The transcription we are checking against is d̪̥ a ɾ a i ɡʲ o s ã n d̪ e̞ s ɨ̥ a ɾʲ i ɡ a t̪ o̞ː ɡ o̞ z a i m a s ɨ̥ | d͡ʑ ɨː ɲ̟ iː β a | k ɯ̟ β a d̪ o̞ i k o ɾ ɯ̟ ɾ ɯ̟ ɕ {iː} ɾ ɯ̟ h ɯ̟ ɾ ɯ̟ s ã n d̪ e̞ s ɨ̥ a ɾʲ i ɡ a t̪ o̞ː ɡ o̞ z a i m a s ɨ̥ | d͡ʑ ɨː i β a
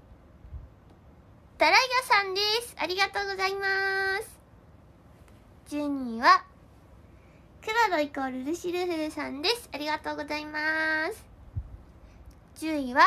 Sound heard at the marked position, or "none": i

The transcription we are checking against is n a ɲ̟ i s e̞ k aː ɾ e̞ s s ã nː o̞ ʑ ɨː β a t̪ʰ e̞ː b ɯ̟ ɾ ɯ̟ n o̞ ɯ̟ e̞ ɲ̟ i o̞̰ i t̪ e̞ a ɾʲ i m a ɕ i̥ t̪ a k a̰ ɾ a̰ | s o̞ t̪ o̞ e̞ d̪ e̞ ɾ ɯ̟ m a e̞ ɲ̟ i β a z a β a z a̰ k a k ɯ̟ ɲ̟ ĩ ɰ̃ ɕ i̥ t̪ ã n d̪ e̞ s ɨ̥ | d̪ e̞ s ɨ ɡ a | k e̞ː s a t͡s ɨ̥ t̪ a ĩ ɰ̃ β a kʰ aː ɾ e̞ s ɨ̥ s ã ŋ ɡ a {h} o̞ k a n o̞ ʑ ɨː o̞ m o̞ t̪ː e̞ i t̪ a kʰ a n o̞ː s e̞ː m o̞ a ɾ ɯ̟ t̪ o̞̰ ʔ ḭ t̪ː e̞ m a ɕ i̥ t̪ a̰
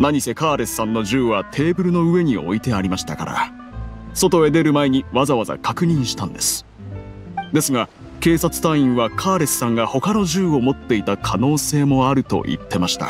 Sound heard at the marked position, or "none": h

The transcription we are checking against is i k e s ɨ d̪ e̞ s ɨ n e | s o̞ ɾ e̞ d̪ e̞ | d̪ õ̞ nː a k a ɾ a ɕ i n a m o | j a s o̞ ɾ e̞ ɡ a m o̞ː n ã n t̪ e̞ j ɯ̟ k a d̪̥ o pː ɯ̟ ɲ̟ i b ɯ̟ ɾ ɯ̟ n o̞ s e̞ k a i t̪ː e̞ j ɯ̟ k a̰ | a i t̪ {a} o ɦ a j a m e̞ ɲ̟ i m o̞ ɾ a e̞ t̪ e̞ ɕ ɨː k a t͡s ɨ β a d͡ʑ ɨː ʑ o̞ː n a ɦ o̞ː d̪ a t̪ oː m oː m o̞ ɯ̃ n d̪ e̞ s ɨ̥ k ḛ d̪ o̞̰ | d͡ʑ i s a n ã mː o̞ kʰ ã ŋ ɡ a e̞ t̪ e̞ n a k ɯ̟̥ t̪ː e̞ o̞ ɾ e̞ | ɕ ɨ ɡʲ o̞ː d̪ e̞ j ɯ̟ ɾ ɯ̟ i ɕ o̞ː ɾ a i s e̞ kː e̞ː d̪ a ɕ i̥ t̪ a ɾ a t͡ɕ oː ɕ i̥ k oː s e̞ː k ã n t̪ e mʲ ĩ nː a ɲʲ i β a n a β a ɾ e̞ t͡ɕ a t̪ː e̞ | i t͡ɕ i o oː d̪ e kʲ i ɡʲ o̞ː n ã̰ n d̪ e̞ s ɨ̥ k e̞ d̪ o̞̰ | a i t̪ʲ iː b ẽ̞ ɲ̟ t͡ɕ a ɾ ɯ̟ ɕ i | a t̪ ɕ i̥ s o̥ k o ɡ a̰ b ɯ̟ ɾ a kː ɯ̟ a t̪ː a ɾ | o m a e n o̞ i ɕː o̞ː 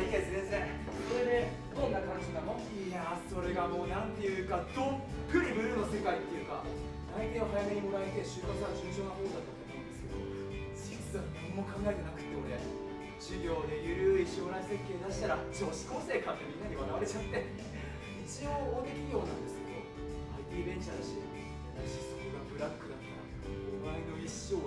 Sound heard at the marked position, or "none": e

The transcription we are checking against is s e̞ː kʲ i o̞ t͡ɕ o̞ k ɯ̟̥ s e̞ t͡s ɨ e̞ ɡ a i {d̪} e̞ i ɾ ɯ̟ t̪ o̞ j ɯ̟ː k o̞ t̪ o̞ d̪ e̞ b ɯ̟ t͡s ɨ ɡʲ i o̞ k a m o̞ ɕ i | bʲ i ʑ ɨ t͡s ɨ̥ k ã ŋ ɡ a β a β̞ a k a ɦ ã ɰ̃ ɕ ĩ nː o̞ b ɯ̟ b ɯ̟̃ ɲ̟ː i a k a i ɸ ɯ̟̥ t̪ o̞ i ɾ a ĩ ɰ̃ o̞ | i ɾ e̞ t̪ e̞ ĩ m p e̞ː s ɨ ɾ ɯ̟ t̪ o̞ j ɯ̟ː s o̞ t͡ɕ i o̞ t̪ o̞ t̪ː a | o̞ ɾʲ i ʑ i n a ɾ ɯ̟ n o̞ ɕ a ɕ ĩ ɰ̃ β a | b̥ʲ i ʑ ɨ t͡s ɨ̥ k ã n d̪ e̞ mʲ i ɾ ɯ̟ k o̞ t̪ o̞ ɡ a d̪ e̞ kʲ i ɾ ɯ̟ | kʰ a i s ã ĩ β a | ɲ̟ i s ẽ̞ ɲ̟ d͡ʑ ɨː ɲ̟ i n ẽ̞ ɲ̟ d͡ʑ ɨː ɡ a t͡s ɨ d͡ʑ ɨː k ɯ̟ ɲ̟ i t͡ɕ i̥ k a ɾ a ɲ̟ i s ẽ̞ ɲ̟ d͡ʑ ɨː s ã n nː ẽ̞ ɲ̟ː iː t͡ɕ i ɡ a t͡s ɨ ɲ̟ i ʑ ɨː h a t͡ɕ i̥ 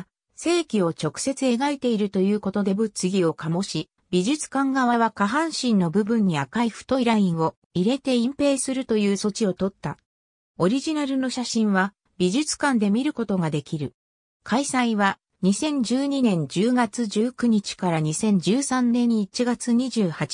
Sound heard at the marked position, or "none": t̪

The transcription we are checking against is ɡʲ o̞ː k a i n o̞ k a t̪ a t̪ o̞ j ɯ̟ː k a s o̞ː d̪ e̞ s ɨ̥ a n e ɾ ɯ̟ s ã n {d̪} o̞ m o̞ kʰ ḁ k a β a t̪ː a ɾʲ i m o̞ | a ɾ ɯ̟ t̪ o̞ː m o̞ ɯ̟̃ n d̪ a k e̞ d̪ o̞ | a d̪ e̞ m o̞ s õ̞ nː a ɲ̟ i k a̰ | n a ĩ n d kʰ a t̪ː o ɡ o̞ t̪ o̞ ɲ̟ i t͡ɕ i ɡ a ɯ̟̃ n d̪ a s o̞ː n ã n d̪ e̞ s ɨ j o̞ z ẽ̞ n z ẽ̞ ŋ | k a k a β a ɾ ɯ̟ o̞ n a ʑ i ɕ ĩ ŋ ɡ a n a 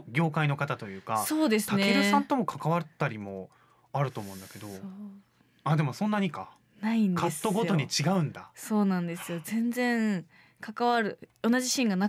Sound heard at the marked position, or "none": t̪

